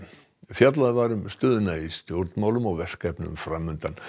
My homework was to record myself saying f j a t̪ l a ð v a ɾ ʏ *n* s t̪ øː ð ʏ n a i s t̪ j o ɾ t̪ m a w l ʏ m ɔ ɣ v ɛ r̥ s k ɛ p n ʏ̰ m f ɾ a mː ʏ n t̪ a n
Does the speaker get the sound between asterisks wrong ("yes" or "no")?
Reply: yes